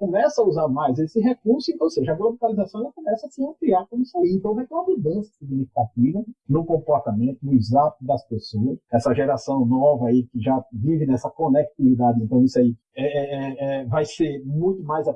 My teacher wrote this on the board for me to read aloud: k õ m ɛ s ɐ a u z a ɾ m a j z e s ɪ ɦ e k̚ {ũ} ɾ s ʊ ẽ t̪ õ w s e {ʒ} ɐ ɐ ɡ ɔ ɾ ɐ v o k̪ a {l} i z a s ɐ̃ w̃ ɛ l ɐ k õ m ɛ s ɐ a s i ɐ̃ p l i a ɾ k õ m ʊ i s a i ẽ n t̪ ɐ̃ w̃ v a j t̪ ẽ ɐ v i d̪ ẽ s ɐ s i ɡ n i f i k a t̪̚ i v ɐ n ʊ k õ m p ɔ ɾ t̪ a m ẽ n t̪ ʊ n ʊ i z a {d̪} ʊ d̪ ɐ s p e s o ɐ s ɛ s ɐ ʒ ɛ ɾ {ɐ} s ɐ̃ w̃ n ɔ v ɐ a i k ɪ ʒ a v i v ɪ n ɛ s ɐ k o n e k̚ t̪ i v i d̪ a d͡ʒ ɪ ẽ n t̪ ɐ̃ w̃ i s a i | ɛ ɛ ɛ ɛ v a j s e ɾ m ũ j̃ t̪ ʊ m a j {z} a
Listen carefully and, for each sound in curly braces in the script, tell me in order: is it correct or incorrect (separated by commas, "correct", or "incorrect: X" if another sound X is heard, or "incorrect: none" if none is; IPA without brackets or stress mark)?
incorrect: u, correct, correct, incorrect: t̪, incorrect: a, correct